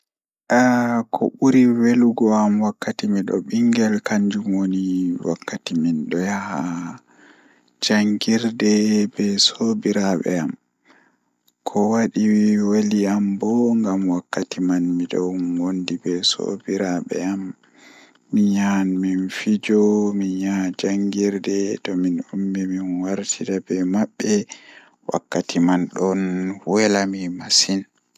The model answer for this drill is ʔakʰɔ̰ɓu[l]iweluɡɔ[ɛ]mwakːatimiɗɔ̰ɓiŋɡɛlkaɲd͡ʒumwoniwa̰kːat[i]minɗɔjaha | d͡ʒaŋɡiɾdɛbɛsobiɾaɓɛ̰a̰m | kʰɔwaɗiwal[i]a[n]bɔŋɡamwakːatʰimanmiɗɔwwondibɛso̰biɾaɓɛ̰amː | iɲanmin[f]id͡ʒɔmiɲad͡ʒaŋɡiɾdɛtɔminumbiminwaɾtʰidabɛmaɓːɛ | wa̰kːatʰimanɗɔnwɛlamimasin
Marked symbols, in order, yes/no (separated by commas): no, no, yes, yes, no, yes